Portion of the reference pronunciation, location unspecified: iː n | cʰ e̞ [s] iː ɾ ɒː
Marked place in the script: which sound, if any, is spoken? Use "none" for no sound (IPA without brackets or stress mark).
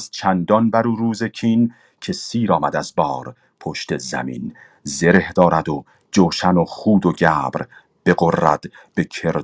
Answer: s